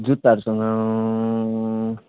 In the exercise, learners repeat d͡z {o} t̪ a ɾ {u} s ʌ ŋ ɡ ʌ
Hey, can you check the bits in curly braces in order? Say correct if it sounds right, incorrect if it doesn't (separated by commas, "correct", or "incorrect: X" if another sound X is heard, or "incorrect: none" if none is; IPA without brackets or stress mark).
incorrect: u, correct